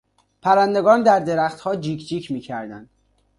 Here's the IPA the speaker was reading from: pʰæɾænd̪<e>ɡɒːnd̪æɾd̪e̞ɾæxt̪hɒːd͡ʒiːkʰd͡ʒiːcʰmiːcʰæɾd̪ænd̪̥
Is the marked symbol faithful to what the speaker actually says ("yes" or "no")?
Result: yes